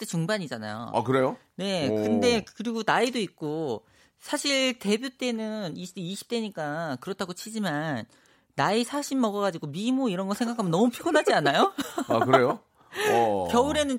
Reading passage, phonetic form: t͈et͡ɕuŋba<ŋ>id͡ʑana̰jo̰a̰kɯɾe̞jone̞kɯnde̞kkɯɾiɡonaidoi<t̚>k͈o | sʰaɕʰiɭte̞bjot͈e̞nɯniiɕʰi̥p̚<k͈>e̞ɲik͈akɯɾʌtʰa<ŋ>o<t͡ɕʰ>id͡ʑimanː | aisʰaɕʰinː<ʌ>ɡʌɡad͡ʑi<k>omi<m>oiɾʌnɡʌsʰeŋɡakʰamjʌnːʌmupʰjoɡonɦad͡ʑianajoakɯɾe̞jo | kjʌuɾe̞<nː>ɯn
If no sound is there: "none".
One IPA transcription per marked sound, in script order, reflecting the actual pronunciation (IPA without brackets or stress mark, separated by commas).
ɲ, k̚, t͈, ɡ, t͡ɕʰ, ʌ, ɡ, m, n